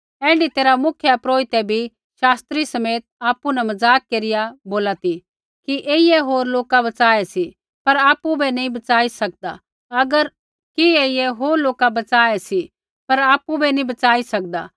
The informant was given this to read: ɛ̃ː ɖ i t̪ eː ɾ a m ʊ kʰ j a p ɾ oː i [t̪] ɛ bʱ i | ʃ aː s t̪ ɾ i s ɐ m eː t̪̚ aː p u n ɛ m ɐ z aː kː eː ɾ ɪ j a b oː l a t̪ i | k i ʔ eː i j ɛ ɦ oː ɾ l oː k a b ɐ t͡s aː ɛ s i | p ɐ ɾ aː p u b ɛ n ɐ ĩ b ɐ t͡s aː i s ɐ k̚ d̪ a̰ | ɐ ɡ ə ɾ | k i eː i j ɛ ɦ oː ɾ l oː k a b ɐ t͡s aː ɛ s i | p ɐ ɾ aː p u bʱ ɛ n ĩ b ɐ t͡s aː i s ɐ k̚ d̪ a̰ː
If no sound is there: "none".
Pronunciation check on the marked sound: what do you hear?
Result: t̪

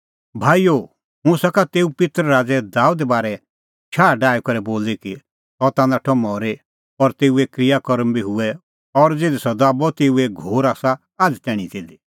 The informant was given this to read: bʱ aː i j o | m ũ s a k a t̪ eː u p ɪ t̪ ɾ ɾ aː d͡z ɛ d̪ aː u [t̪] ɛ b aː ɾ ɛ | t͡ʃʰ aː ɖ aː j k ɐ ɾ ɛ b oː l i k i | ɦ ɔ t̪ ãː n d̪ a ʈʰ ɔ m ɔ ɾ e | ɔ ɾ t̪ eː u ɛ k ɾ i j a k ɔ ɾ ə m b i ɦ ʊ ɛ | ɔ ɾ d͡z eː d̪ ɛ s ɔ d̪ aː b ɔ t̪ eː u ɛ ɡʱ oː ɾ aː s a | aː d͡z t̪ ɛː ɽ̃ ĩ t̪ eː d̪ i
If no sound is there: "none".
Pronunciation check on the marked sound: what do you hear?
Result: d̪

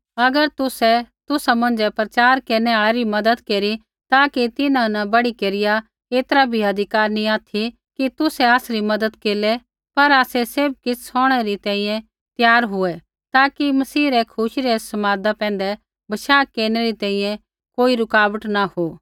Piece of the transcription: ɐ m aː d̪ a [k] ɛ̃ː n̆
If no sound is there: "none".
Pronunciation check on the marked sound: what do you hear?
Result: p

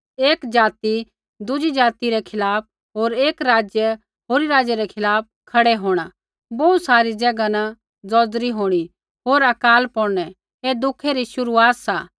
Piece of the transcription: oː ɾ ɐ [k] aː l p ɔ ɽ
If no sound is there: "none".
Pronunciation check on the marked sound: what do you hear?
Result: k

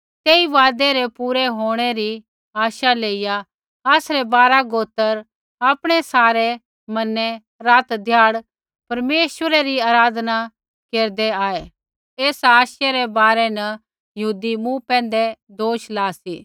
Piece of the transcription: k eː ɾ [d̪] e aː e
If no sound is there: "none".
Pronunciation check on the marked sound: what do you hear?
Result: d̪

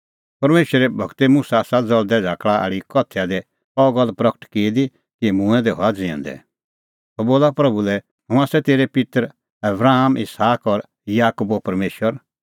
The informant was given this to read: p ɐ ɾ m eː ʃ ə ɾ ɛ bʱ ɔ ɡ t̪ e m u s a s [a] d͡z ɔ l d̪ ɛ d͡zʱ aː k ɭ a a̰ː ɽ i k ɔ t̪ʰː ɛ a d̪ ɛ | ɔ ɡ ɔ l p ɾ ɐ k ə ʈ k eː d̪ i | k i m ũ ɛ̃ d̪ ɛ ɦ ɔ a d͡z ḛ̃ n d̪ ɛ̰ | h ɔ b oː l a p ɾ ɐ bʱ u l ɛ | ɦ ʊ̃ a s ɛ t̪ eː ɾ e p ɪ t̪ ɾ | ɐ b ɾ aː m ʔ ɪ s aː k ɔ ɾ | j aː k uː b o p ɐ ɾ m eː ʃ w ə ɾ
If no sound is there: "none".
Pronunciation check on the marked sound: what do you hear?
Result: a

